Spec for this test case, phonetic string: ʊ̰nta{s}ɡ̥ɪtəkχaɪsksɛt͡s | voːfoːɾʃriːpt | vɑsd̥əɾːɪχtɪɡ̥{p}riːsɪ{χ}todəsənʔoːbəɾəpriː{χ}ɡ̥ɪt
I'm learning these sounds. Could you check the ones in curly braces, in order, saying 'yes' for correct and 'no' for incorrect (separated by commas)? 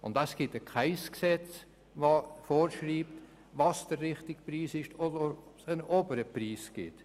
yes, yes, no, no